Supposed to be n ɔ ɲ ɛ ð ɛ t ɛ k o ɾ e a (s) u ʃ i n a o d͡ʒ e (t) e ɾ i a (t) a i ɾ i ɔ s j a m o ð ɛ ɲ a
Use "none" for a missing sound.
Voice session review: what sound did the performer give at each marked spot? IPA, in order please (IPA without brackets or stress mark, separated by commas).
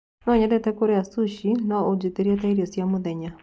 s, t, t